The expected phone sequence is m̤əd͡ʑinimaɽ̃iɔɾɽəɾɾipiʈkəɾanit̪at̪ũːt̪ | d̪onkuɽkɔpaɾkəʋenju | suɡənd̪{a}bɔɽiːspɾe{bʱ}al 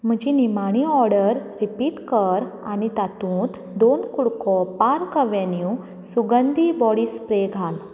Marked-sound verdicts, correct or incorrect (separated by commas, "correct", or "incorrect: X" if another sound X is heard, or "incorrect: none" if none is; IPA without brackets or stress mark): incorrect: i, incorrect: ɡʱ